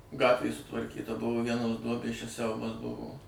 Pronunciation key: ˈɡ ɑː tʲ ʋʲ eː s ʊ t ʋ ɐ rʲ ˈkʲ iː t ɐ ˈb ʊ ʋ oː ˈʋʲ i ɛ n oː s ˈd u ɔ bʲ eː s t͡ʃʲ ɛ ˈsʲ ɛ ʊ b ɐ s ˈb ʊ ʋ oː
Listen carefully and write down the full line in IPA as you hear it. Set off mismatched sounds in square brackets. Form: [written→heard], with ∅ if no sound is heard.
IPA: ˈɡ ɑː tʲ ʋʲ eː s ʊ t ʋ ɐ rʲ ˈkʲ iː t ɐ ˈb ʊ ʋ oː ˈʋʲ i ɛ n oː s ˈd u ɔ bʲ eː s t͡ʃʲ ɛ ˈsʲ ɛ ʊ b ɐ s ˈb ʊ ʋ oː